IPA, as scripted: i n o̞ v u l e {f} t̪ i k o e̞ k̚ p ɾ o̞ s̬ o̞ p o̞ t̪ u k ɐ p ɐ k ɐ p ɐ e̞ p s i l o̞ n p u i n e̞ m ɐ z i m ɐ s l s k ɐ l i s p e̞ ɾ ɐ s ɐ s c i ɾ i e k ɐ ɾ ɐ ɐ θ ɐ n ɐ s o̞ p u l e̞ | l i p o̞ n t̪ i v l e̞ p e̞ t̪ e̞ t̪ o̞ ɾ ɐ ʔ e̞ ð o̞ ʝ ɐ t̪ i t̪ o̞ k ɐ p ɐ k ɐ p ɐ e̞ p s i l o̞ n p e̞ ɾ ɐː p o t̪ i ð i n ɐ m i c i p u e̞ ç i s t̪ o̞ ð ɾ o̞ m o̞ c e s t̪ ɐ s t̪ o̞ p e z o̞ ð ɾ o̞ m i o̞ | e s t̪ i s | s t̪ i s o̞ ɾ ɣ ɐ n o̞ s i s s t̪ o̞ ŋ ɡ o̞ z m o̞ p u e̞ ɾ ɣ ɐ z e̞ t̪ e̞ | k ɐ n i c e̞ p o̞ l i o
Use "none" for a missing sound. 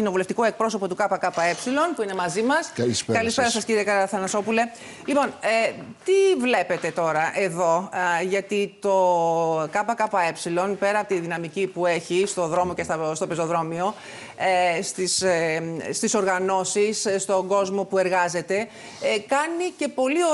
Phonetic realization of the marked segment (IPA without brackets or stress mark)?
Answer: f